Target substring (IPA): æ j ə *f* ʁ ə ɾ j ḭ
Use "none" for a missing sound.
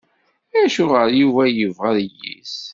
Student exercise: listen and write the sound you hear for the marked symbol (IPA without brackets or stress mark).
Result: v